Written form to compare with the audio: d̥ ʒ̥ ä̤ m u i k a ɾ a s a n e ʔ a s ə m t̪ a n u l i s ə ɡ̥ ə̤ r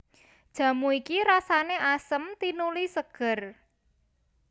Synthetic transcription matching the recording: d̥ ʒ̥ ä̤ m u i k i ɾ a s a n e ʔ a s ə m t̪ i n u l i s ə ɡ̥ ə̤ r